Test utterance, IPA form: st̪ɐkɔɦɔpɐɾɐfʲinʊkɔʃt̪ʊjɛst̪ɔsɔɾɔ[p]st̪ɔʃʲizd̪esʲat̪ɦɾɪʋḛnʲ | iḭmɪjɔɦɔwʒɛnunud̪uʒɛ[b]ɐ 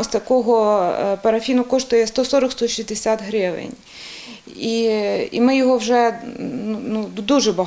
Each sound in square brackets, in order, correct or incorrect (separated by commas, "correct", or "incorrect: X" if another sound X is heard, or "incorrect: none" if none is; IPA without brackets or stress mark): incorrect: k, correct